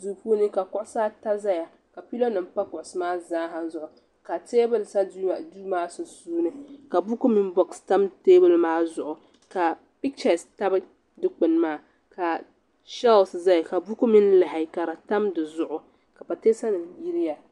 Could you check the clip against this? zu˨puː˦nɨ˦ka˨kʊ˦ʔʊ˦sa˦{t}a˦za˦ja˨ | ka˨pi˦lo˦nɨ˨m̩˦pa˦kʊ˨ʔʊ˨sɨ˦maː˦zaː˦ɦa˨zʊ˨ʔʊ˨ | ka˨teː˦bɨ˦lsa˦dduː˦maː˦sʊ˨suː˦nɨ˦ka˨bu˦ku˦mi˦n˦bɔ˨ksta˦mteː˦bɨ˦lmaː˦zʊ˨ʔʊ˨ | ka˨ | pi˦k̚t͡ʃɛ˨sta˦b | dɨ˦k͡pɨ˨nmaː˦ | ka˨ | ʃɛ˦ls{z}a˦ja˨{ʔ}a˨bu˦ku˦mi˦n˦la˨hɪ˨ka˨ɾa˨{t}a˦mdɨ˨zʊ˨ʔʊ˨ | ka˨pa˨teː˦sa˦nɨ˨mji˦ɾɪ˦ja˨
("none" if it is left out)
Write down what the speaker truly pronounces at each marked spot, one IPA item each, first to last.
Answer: t, z, k, t

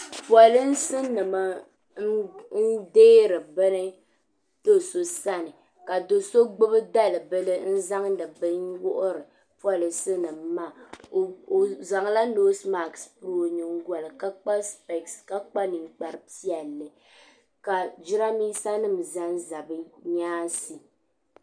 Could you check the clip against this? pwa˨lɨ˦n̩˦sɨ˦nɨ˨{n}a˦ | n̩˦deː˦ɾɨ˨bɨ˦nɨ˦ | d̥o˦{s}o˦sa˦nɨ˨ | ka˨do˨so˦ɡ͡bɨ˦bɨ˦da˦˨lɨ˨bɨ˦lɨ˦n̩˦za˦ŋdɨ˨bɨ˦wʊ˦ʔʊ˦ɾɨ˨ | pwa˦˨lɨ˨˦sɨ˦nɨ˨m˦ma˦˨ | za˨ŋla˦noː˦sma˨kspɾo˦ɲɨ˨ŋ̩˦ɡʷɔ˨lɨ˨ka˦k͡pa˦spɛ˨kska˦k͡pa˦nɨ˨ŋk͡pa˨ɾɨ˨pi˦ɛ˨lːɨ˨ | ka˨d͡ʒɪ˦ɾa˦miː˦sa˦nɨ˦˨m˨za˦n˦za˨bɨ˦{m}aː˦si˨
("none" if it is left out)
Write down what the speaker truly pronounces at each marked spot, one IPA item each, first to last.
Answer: m, s, ɲ

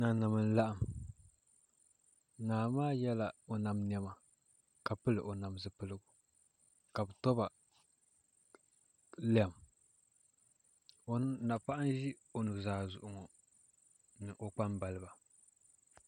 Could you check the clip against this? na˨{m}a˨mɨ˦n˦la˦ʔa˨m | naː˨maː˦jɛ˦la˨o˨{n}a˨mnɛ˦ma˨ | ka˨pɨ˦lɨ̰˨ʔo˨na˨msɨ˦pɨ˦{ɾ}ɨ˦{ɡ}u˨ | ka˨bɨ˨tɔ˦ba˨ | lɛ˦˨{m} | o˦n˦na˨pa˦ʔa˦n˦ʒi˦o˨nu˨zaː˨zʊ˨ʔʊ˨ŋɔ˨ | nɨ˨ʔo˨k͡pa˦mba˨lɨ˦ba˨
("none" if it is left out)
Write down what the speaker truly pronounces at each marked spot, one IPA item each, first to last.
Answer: n, n, l, ɡ, m

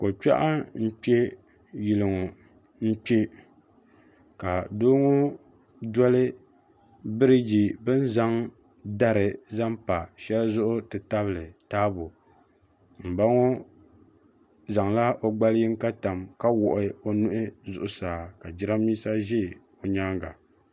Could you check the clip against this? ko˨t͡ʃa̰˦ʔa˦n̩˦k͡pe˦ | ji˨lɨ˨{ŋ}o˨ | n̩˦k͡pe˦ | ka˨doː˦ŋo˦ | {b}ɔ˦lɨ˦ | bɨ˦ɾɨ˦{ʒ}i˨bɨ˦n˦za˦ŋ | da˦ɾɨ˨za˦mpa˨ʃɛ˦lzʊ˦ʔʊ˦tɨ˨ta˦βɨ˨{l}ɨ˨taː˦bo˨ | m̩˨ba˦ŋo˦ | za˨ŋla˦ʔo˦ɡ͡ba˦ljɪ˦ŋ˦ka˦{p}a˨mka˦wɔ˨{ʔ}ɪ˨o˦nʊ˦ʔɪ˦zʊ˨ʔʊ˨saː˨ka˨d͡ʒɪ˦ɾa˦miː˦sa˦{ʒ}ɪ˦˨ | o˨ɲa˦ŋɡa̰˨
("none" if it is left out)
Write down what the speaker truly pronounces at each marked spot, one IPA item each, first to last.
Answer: ŋ, d, d͡ʒ, l, t, ʔ, ʒ

